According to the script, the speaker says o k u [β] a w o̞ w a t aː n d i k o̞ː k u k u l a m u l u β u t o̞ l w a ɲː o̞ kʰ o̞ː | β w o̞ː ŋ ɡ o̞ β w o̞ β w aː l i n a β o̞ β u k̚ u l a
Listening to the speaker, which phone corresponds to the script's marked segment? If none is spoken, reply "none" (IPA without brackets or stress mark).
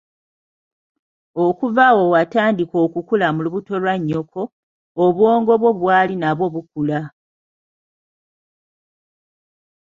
v